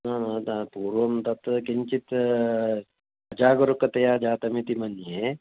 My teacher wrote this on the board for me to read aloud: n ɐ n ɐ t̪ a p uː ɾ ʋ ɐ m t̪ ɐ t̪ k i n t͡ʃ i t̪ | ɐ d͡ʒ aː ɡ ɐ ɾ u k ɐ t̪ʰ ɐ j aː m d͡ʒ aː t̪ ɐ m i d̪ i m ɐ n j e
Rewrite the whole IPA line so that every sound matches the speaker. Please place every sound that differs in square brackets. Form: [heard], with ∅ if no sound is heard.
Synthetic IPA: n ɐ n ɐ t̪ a p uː ɾ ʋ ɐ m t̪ ɐ t̪ k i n t͡ʃ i t̪ | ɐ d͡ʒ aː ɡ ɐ ɾ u k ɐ [t̪] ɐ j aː [∅] d͡ʒ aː t̪ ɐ m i [t̪] i m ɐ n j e

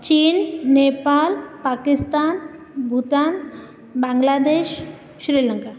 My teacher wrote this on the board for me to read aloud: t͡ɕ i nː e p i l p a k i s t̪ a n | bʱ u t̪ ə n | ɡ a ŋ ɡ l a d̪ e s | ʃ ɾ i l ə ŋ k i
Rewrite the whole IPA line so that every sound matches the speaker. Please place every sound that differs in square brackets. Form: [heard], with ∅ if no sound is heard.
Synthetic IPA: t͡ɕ i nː e p [a] l p a k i s t̪ a n | bʱ u t̪ [a] n | [b] a ŋ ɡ l a d̪ e [ʃ] | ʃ ɾ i l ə ŋ k [a]

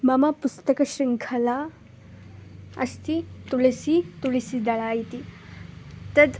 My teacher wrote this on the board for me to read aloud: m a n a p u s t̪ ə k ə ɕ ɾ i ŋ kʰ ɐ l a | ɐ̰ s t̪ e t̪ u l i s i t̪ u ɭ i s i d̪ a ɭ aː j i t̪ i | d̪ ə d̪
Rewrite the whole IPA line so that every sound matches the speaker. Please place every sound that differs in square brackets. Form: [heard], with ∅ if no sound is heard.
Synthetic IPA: m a [m] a p u s t̪ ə k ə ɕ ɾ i ŋ kʰ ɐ l a | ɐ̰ s t̪ [i] t̪ u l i s i t̪ u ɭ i s i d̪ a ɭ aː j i t̪ i | [t̪] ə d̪

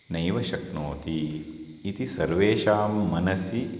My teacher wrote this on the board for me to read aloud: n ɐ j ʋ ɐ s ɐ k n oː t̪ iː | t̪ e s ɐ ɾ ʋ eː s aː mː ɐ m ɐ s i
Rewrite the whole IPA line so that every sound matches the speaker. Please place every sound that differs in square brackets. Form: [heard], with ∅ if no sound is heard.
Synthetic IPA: n ɐ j ʋ ɐ [ʃ] ɐ k n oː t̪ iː | t̪ [i] s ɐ ɾ ʋ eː [ʃ] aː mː ɐ [n] ɐ s i

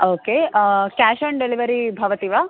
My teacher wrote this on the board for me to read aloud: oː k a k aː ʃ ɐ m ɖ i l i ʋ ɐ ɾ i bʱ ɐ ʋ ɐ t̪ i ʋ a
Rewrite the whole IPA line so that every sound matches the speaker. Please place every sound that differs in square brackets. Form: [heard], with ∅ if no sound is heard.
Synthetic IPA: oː k [e] k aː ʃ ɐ [ɳ] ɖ [e] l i ʋ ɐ ɾ i bʱ ɐ ʋ ɐ t̪ i ʋ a

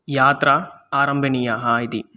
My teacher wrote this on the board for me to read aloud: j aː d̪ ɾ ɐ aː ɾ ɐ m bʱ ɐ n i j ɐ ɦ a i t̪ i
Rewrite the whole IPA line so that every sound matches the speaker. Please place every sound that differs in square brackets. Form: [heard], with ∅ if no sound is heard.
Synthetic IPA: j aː [t̪] ɾ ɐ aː ɾ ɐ m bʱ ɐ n i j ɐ ɦ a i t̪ i

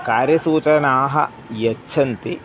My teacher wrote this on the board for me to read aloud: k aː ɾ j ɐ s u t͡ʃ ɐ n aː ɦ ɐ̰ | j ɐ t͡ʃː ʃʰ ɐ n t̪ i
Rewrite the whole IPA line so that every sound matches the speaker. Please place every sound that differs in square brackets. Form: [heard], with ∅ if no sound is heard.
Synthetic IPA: k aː ɾ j ɐ s [uː] t͡ʃ ɐ n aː ɦ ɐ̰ | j ɐ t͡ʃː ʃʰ ɐ n t̪ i

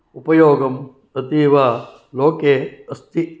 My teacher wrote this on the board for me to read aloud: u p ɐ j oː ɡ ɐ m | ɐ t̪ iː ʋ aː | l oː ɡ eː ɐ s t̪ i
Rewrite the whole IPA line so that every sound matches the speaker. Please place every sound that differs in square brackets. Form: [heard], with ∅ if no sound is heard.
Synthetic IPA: u p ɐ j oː ɡ ɐ m | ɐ t̪ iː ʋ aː | l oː [k] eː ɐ s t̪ i

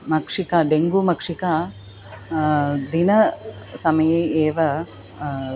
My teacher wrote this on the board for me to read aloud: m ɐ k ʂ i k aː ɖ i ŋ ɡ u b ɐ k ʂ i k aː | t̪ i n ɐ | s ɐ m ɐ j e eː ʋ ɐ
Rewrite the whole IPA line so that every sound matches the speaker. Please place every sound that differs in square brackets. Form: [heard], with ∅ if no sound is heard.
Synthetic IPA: m ɐ k ʂ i k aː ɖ [e] ŋ ɡ u [m] ɐ k ʂ i k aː | [d̪] i n ɐ | s ɐ m ɐ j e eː ʋ ɐ

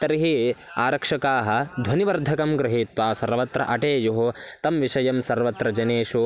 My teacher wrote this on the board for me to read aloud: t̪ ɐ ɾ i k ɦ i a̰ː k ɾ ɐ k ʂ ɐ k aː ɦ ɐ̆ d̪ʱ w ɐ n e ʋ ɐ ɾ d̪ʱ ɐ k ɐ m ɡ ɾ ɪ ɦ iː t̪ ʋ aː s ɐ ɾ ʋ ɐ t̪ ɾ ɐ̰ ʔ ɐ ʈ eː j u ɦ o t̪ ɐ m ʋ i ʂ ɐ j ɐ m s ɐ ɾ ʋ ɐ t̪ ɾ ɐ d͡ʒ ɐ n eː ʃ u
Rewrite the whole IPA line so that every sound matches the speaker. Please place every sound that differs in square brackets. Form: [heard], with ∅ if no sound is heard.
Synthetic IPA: t̪ ɐ ɾ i [∅] ɦ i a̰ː [∅] ɾ ɐ k ʂ ɐ k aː ɦ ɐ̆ d̪ʱ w ɐ n [i] ʋ ɐ ɾ d̪ʱ ɐ k ɐ m ɡ ɾ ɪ ɦ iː t̪ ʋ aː s ɐ ɾ ʋ ɐ t̪ ɾ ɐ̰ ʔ ɐ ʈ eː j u ɦ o t̪ ɐ m ʋ i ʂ ɐ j ɐ m s ɐ ɾ ʋ ɐ t̪ ɾ ɐ d͡ʒ ɐ n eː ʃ u

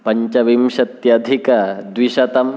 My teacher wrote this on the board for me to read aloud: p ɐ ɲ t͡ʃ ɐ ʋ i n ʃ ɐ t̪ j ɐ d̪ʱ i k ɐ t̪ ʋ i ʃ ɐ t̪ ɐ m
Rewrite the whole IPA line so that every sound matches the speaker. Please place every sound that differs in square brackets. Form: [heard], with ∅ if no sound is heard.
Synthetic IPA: p ɐ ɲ t͡ʃ ɐ ʋ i [m] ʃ ɐ t̪ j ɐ d̪ʱ i k ɐ [d̪] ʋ i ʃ ɐ t̪ ɐ m

